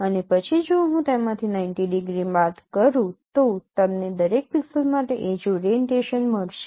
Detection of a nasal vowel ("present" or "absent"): present